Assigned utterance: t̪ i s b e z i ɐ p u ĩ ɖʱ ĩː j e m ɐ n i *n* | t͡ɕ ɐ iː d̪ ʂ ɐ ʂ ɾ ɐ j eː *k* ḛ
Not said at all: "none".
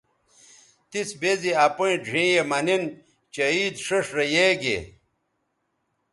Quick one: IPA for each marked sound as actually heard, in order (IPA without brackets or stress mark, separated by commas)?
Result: n, ɡ